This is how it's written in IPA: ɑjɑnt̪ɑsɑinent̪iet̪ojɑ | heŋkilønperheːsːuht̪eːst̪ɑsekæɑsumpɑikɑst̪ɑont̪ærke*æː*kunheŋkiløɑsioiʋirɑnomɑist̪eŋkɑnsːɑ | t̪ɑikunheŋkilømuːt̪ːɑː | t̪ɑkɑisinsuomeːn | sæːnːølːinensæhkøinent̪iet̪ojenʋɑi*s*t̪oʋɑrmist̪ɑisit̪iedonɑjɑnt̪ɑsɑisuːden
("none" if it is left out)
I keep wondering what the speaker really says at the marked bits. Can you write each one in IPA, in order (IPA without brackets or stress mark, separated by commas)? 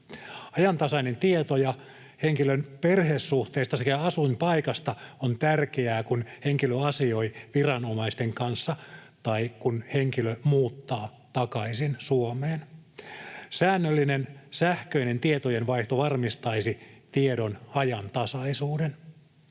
æː, h